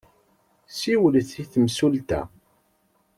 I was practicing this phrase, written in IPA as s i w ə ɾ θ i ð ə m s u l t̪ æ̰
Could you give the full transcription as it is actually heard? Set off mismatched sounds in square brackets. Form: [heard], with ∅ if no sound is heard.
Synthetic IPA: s i w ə [l] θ i [θ] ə m s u l t̪ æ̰